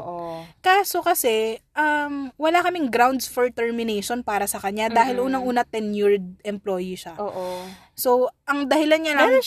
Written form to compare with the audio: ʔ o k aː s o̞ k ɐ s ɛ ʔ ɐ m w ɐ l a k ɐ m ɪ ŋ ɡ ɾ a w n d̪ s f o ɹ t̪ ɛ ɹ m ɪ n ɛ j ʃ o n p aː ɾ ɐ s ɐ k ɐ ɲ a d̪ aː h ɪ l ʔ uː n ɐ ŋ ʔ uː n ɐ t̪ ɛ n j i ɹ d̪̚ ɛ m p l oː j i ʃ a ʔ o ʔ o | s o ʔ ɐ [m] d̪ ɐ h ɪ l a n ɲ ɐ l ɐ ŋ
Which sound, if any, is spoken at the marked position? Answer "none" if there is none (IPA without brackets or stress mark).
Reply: ŋ